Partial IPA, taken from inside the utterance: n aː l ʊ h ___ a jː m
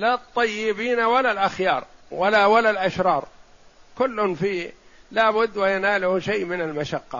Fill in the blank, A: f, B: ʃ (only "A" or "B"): B